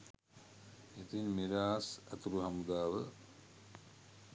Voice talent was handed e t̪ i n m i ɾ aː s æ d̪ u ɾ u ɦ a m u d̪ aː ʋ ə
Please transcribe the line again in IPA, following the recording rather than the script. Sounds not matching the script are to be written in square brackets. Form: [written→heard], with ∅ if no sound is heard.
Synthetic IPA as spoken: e t̪ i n m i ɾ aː s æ [d̪→t̪] u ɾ u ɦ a m u d̪ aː ʋ ə

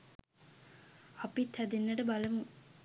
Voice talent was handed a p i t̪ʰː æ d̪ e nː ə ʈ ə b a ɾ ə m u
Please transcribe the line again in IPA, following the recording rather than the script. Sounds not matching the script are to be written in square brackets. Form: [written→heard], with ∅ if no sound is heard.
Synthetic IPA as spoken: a p i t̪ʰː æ d̪ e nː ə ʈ ə b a [ɾ→l] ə m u

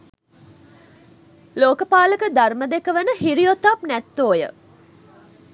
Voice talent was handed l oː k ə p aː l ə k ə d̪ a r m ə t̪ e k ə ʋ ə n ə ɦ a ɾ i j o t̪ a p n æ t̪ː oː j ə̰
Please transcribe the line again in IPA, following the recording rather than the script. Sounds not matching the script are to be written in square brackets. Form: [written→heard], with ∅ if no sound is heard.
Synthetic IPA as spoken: l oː k ə p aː l ə k ə d̪ a r m ə [t̪→d̪] e k ə ʋ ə n ə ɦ [a→i] ɾ i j o t̪ a p n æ t̪ː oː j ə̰

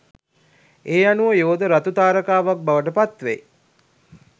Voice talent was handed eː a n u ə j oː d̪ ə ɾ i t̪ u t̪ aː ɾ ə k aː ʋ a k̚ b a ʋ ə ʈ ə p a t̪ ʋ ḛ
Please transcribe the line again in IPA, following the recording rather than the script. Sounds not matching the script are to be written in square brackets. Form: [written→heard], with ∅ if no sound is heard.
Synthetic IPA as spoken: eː a n u ə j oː d̪ ə ɾ [i→a] t̪ u t̪ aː ɾ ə k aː ʋ a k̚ b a ʋ ə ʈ ə p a t̪ ʋ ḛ

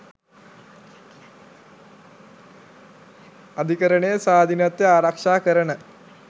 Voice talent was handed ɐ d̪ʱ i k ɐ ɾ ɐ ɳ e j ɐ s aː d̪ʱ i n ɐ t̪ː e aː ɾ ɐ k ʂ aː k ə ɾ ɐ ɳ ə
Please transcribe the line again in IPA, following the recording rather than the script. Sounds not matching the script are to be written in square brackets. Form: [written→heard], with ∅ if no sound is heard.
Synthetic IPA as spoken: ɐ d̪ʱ i k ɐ ɾ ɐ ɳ e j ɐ s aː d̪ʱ i n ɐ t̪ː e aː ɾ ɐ k ʂ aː k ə ɾ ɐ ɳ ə

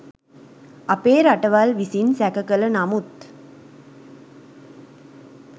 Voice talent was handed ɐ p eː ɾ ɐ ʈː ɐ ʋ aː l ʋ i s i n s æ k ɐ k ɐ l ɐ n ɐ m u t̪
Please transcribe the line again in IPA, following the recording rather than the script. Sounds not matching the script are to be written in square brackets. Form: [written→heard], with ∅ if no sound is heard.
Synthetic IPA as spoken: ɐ p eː ɾ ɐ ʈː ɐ ʋ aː l ʋ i s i n s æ k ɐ k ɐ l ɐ n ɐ m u t̪

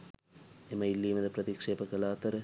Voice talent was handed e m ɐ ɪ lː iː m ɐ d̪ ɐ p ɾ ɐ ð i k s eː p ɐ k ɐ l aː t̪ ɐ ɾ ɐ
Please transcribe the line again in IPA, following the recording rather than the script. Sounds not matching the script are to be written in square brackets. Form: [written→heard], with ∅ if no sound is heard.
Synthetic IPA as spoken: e m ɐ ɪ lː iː m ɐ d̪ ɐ p ɾ ɐ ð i k [s→ʂ] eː p ɐ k ɐ l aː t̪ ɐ ɾ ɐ

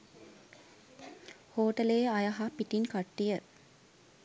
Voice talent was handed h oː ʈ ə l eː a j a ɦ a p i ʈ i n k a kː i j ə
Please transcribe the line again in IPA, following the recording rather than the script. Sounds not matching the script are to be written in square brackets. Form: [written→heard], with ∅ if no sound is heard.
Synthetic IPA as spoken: h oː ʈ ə l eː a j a ɦ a p i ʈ i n k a [kː→ʈː] i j ə

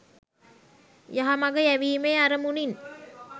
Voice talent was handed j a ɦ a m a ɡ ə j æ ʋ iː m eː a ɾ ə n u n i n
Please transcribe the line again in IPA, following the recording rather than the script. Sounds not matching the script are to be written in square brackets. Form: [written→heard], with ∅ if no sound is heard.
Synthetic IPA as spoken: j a ɦ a m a ɡ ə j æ ʋ iː m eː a ɾ ə [n→m] u n i n

